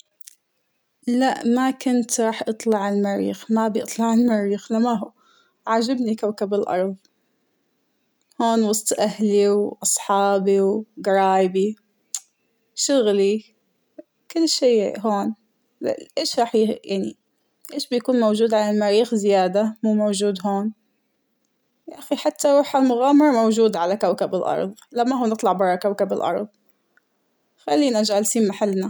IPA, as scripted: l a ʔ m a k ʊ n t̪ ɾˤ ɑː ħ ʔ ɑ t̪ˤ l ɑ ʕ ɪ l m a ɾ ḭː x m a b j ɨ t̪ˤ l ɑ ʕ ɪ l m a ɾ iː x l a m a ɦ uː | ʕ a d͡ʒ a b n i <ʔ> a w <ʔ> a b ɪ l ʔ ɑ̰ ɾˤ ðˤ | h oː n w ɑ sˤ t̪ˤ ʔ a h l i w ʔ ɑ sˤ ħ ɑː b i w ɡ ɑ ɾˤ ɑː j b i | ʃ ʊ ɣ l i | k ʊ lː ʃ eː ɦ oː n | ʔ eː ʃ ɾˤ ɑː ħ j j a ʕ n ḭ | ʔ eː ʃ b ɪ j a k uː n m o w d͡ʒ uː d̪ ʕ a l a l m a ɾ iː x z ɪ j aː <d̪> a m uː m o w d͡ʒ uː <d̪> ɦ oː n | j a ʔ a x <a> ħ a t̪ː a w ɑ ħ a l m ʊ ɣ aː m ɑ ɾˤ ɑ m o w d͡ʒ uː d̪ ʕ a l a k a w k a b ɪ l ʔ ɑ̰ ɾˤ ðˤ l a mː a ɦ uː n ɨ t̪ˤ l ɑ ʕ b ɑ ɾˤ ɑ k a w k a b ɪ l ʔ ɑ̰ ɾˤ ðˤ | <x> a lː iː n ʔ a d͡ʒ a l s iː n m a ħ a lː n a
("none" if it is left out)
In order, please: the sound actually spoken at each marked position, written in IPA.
k, k, d̪, d̪, i, x

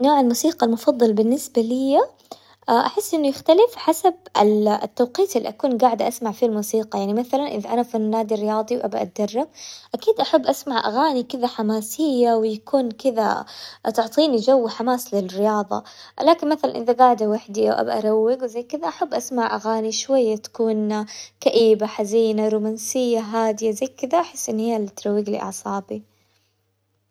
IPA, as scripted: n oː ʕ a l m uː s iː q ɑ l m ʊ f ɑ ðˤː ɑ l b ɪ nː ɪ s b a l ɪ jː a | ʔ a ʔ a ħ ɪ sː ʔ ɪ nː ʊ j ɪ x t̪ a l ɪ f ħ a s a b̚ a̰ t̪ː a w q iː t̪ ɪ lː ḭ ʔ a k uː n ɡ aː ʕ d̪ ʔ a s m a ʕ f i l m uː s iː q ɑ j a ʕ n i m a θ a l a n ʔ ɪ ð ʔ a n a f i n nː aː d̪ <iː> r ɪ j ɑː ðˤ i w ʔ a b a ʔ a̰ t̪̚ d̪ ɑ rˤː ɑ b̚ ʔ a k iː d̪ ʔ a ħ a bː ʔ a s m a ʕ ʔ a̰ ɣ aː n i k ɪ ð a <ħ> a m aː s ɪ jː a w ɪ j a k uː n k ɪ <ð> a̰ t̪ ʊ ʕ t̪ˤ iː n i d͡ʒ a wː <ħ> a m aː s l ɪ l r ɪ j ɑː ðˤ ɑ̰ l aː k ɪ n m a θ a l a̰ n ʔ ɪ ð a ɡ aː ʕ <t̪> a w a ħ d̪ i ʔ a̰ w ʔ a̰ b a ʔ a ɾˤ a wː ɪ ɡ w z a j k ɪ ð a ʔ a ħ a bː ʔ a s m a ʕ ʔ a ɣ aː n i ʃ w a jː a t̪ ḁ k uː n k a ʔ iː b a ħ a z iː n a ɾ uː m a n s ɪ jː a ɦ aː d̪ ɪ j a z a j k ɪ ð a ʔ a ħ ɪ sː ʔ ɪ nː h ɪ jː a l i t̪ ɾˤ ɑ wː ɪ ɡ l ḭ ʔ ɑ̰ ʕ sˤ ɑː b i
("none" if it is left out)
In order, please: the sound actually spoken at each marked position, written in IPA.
i, ħ, ð, ħ, d̪

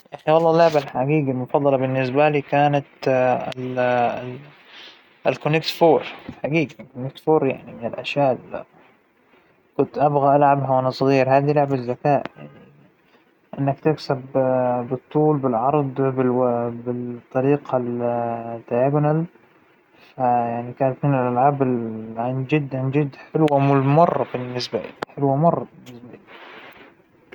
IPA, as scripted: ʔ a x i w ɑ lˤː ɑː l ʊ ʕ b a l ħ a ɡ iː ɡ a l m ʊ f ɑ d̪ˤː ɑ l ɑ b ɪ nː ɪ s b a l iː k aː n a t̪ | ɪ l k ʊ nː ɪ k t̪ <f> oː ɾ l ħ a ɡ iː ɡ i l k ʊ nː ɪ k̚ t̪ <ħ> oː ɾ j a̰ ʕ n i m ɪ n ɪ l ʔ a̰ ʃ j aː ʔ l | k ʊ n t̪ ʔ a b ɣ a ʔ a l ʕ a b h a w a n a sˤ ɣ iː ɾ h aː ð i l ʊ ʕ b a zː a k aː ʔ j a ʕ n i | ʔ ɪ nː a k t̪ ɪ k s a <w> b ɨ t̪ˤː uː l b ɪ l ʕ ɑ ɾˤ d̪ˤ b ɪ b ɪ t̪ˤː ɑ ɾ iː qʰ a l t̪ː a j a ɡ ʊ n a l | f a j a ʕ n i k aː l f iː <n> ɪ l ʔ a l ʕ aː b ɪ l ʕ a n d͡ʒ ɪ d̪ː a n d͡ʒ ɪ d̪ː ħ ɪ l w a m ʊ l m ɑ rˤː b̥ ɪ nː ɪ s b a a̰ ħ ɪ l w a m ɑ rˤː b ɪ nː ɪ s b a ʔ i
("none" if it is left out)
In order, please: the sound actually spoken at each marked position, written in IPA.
f, f, b, n

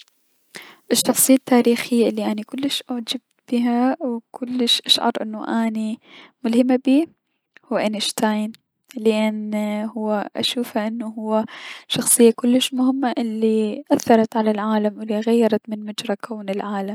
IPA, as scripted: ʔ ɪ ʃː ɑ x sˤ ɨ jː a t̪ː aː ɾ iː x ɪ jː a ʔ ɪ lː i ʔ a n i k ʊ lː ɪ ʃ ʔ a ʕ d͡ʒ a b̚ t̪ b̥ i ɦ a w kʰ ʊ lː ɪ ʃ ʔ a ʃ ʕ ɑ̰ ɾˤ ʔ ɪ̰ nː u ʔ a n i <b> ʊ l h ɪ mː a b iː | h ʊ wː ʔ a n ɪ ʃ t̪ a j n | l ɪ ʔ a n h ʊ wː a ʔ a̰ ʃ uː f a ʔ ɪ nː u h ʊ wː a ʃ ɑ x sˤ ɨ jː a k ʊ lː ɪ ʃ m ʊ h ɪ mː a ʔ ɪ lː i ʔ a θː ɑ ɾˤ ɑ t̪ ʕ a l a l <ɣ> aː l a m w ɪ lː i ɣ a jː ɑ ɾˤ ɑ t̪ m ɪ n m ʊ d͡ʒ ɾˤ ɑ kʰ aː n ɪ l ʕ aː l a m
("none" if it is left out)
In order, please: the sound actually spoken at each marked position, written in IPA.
m, ʕ

